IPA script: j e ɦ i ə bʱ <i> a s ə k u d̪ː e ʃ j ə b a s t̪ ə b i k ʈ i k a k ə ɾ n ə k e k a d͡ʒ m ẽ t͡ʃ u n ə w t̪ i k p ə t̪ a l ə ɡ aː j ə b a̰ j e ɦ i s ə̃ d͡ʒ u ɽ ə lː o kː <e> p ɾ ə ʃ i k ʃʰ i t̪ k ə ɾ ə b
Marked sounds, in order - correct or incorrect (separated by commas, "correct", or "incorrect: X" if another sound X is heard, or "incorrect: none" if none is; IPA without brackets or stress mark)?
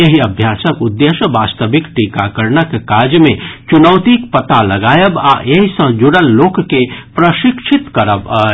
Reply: incorrect: j, correct